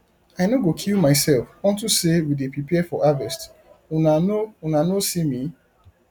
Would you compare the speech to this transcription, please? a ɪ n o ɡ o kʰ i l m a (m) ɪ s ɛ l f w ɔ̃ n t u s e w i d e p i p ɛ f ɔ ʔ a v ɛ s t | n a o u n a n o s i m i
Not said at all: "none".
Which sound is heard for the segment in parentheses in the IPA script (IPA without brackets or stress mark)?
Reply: none